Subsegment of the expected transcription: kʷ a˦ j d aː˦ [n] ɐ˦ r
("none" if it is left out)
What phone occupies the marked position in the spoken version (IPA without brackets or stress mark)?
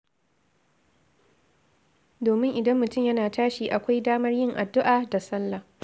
m